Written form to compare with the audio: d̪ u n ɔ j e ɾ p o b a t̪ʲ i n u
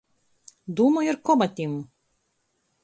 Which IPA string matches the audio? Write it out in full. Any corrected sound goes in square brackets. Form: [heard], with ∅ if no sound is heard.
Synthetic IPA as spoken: d̪ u [m] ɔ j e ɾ [k] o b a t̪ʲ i [m] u